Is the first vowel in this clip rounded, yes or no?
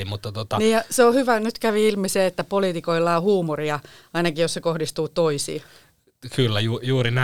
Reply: yes